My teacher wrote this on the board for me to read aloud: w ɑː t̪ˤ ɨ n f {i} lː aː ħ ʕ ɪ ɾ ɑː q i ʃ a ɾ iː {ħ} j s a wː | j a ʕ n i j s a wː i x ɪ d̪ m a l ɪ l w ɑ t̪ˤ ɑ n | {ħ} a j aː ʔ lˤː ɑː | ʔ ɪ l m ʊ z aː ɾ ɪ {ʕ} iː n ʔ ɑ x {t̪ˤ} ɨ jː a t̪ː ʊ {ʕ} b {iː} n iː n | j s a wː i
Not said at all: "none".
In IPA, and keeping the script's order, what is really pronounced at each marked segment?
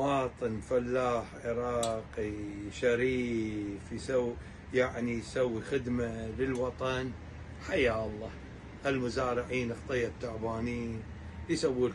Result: a, f, ħ, ʕ, t̪ˤ, ʕ, aː

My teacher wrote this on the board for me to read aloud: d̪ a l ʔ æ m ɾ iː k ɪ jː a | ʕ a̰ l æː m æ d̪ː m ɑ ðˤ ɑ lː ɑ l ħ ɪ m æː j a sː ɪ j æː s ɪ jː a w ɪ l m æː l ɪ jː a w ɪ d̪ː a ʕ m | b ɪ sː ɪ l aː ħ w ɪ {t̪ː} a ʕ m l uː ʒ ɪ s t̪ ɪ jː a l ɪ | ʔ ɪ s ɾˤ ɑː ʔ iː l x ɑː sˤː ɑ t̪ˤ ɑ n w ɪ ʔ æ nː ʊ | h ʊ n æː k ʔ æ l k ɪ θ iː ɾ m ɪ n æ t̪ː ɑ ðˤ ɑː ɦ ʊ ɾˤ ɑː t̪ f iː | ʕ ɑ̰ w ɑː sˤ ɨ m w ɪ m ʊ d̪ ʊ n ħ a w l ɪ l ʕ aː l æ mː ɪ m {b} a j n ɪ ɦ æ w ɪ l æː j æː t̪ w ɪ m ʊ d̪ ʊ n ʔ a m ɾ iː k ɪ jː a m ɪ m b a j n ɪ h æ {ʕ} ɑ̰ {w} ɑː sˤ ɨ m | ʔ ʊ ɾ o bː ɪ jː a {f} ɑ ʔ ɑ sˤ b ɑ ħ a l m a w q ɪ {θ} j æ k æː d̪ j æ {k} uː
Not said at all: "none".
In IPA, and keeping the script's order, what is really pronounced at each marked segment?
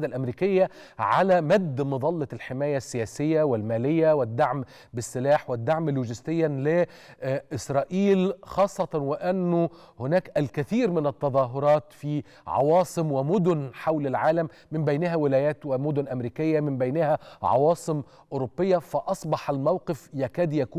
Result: d̪ː, b, ʕ, w, f, f, k

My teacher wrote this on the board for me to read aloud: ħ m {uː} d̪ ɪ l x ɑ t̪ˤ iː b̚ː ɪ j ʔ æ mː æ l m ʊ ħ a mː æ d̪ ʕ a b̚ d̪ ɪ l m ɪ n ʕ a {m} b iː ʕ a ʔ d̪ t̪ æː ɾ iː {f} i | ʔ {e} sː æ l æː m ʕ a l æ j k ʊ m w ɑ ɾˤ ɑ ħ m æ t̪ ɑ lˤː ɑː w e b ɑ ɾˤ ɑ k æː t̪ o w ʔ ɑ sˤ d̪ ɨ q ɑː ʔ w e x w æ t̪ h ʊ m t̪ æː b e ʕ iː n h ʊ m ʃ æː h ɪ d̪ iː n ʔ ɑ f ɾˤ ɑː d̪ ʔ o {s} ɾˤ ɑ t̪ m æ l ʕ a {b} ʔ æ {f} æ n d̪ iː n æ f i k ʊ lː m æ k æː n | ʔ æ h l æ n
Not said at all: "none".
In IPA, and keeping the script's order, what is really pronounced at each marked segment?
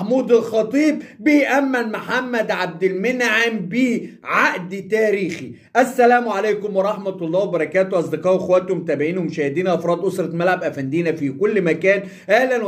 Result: uː, m, x, æ, s, b, f

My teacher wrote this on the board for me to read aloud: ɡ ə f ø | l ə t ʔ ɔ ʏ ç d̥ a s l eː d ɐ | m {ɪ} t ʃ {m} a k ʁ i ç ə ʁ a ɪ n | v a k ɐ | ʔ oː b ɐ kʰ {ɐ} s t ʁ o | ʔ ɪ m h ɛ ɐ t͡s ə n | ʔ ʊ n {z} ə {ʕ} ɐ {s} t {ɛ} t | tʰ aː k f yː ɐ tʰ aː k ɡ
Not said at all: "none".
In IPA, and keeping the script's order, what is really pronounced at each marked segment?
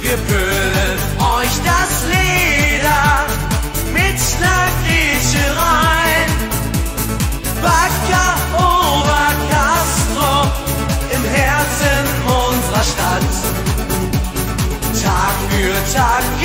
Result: ɪ, n, a, z, ʁ, ʃ, a

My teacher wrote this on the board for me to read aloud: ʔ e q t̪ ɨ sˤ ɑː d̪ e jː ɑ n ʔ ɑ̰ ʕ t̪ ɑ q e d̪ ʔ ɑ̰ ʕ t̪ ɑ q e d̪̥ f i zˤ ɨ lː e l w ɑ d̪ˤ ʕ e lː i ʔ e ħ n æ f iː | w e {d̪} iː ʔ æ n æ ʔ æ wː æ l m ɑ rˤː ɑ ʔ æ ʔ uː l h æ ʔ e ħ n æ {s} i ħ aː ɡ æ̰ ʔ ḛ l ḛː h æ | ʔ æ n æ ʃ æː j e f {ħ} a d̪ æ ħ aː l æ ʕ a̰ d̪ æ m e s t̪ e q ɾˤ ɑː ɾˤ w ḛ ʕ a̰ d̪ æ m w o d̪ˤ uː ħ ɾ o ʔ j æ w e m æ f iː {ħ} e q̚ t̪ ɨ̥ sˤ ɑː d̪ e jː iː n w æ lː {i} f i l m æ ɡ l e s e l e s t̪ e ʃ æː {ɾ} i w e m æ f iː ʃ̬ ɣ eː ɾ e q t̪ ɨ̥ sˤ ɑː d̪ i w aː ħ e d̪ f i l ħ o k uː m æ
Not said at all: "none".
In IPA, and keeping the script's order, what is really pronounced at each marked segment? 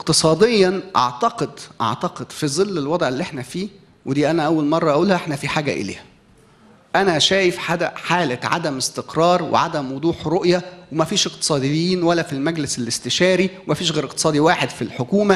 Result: d̪, f, ħ, ʃ, æ, ɾ

